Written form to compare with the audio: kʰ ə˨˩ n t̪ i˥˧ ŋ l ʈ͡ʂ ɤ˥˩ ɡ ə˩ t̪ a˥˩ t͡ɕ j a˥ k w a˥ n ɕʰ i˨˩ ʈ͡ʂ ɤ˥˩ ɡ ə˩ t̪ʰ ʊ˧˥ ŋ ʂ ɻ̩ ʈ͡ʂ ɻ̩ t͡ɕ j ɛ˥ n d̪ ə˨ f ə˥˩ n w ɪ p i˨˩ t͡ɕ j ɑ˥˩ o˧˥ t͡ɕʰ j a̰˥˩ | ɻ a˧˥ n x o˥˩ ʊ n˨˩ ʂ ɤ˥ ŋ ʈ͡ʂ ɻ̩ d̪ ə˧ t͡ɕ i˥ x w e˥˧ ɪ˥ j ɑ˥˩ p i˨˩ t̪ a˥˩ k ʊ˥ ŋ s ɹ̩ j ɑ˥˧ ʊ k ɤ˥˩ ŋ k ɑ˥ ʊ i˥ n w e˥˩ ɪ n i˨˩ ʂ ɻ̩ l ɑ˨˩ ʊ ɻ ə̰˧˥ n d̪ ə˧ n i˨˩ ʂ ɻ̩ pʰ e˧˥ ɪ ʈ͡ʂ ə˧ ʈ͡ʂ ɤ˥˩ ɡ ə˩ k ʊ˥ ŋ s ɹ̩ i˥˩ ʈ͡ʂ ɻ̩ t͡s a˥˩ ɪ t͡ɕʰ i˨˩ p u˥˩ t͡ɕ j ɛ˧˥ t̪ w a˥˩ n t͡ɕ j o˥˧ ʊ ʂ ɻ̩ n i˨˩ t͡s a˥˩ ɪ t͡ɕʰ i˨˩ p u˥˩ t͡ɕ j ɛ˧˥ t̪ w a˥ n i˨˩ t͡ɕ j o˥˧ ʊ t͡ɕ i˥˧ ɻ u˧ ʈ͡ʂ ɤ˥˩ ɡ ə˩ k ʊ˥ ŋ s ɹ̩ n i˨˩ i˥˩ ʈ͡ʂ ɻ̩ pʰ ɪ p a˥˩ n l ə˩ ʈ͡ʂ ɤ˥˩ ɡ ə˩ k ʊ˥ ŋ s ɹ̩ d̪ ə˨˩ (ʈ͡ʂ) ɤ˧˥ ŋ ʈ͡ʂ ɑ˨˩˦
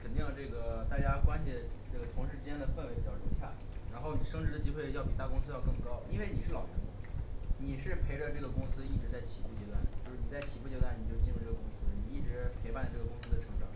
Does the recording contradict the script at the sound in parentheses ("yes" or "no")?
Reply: yes